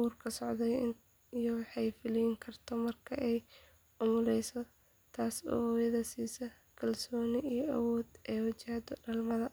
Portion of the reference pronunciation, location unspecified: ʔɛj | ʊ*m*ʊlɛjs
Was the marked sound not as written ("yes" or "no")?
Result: no